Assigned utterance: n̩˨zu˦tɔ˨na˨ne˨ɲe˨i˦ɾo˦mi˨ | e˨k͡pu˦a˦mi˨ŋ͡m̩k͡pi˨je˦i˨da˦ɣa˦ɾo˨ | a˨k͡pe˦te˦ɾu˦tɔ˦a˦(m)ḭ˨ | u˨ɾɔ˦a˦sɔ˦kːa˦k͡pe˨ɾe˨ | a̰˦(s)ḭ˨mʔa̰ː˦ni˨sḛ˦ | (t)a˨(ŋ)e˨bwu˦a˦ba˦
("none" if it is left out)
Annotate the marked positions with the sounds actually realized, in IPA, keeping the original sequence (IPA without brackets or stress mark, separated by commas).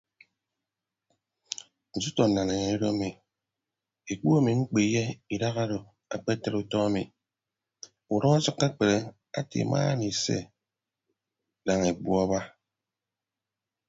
m, t, d, ŋ